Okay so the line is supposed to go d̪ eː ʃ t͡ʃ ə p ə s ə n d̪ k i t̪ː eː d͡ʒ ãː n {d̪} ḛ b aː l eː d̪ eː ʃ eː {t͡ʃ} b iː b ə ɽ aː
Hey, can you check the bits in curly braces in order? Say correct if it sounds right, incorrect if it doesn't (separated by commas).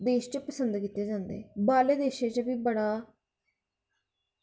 correct, correct